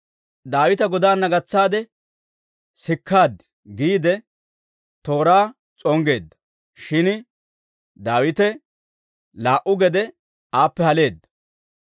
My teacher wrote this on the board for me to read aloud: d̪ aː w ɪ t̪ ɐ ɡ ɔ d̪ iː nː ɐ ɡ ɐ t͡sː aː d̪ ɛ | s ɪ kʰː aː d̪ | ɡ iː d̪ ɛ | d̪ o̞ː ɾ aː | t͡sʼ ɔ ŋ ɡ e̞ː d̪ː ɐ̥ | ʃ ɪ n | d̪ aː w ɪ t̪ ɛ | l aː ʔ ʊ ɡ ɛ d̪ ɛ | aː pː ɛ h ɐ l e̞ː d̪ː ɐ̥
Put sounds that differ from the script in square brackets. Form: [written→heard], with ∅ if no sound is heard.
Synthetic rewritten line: d̪ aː w ɪ t̪ ɐ ɡ ɔ d̪ [iː→aː] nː ɐ ɡ ɐ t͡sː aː d̪ ɛ | s ɪ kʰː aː d̪ | ɡ iː d̪ ɛ | [d̪→t̪] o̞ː ɾ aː | t͡sʼ ɔ ŋ ɡ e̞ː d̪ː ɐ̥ | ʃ ɪ n | d̪ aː w ɪ t̪ ɛ | l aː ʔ ʊ ɡ ɛ d̪ ɛ | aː pː ɛ h ɐ l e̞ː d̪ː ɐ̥

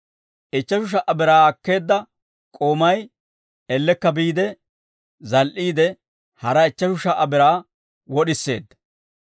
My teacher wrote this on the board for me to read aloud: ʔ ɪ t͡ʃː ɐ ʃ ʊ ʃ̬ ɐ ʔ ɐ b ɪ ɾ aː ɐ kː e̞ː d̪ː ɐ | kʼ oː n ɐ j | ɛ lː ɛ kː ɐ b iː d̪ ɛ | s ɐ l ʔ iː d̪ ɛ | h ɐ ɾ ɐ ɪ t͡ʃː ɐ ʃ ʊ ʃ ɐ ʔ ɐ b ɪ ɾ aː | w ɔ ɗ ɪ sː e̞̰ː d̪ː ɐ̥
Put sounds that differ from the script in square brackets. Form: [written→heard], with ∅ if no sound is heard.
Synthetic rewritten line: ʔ ɪ t͡ʃː ɐ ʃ ʊ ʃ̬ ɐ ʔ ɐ b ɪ ɾ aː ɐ kː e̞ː d̪ː ɐ | kʼ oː [n→m] ɐ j | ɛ lː ɛ kː ɐ b iː d̪ ɛ | [s→z] ɐ l ʔ iː d̪ ɛ | h ɐ ɾ ɐ ɪ t͡ʃː ɐ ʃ ʊ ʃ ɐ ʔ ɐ b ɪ ɾ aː | w ɔ ɗ ɪ sː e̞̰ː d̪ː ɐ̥

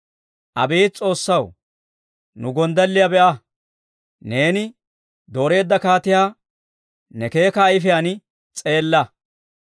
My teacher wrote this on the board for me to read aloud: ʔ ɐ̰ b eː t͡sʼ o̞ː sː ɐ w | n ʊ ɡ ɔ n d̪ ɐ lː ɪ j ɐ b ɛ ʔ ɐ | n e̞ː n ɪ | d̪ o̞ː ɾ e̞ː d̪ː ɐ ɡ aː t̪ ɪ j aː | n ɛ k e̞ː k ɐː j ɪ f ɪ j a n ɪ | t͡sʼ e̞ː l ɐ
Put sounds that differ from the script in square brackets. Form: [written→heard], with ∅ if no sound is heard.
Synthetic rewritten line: ʔ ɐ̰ b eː t͡sʼ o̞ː sː ɐ w | n ʊ ɡ ɔ n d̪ ɐ lː ɪ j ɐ b ɛ ʔ ɐ | n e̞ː n ɪ | d̪ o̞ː ɾ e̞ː d̪ː ɐ [ɡ→k] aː t̪ ɪ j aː | n ɛ k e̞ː k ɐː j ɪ f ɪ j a n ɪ | t͡sʼ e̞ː [l→lː] ɐ

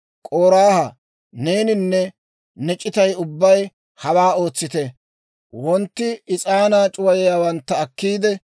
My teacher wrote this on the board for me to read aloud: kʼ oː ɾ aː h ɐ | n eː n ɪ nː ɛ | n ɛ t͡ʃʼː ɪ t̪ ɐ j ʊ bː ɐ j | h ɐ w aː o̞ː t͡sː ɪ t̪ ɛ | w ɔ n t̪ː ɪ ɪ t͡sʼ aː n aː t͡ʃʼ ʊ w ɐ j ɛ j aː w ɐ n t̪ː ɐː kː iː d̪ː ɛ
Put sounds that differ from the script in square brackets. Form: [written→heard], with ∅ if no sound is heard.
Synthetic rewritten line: kʼ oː ɾ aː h ɐ | n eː n ɪ nː ɛ | n ɛ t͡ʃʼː ɪ t̪ ɐ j ʊ bː ɐ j | h ɐ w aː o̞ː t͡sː ɪ t̪ ɛ | w ɔ n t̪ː ɪ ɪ t͡sʼ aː n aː t͡ʃʼ ʊ w ɐ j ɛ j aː w ɐ n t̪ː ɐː kː iː [d̪ː→d̪] ɛ

